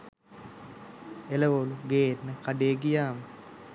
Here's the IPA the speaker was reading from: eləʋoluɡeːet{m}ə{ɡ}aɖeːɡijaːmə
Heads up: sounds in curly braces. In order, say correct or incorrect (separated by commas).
incorrect, incorrect